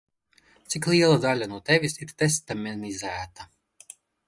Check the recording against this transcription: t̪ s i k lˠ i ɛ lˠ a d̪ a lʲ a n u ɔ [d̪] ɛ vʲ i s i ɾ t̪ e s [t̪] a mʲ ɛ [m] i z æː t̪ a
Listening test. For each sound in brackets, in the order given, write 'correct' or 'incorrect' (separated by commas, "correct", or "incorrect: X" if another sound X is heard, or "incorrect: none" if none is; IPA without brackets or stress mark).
incorrect: t̪, correct, incorrect: n